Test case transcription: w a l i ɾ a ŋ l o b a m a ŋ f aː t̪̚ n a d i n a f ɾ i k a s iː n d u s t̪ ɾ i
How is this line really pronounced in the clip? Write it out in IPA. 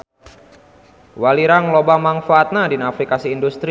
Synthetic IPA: w a l i ɾ a ŋ l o b a m a ŋ f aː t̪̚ n a d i n a f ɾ i k a s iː n d u s t̪ ɾ i